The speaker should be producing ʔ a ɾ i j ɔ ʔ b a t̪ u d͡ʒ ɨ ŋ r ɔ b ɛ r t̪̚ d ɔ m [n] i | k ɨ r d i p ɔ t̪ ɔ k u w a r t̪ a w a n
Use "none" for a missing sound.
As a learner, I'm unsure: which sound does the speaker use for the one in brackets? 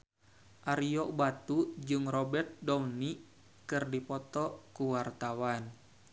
n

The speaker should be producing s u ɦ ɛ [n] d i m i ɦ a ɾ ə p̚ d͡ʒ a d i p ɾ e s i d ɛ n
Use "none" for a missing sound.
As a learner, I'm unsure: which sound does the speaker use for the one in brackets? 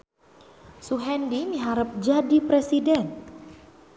n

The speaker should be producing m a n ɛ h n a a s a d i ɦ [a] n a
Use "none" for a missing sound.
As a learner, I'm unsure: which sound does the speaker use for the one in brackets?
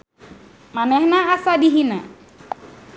i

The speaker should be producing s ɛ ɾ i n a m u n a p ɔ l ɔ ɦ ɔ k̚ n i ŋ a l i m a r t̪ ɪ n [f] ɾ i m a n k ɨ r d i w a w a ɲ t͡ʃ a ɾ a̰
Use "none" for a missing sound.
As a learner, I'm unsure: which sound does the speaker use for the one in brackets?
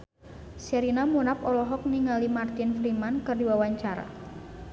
f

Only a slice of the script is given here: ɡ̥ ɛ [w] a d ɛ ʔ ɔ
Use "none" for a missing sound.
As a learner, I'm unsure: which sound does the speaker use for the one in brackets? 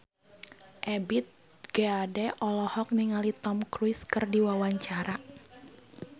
none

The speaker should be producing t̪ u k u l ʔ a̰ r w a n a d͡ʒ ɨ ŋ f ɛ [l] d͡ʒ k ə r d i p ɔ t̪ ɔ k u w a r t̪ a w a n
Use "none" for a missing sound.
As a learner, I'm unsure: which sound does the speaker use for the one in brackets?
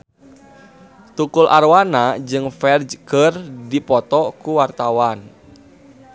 r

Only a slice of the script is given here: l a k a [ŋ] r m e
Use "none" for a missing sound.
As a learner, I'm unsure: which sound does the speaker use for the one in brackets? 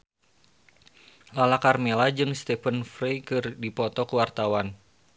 none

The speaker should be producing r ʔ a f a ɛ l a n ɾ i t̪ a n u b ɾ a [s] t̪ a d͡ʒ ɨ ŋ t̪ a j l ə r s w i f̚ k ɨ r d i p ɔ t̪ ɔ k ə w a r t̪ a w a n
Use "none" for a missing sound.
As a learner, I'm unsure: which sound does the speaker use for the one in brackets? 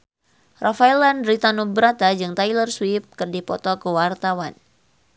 none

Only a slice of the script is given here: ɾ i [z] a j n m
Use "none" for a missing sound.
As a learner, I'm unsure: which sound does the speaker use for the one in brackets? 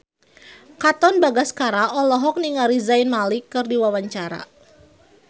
z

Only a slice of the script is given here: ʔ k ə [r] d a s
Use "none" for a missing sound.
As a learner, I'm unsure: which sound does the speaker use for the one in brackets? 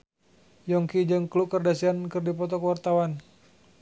r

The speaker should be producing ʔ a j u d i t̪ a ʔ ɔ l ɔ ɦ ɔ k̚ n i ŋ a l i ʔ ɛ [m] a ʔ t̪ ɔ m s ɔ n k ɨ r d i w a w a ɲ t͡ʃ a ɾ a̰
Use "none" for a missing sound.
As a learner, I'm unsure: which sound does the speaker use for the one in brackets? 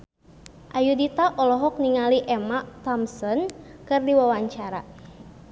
m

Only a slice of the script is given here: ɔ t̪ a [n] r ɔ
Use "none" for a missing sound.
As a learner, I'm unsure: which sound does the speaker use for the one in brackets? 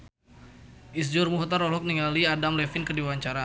none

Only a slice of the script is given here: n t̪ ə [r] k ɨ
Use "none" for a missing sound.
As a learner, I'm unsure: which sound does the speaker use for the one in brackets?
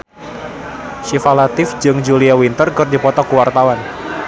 r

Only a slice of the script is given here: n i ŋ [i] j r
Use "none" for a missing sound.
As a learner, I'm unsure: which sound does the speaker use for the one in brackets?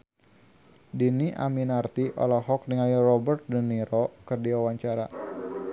a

